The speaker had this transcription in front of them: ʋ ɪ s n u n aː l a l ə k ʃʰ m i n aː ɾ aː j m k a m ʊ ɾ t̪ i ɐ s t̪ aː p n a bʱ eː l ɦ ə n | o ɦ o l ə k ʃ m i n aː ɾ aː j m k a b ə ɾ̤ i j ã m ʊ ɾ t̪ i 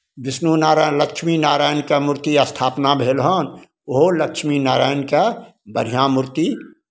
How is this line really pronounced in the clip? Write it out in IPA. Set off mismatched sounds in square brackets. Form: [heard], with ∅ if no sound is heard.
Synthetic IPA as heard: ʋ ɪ s n u n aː [ɾ] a l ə k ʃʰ m i n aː ɾ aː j [n] k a m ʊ ɾ t̪ i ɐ s [t̪ʰ] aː p n a bʱ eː l ɦ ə n | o ɦ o l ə k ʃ m i n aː ɾ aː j [n] k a b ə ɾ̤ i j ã m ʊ ɾ t̪ i